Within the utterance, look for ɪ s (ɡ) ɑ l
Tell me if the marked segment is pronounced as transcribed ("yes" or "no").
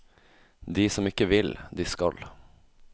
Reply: no